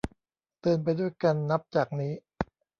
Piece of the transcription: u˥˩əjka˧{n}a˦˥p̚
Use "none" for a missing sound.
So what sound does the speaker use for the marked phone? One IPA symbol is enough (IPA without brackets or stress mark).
nː